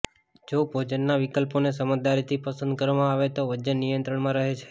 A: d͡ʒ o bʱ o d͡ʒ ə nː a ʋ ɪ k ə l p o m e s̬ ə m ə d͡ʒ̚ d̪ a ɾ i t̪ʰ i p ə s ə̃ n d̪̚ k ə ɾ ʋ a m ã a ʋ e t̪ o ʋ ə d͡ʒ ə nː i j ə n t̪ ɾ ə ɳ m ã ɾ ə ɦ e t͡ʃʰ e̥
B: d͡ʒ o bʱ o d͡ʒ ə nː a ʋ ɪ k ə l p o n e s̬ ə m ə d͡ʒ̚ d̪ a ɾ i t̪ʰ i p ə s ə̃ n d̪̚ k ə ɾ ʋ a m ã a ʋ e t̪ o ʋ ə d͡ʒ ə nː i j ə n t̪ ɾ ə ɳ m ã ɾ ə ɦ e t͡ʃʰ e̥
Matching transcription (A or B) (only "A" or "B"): B